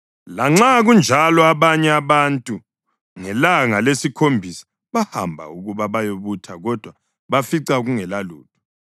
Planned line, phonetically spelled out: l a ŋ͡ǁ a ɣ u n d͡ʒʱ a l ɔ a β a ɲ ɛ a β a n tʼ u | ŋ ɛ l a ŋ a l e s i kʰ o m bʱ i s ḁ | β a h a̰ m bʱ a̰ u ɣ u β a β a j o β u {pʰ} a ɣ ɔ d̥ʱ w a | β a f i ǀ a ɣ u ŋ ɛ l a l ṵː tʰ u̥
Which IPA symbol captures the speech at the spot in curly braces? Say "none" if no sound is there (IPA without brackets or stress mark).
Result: tʰ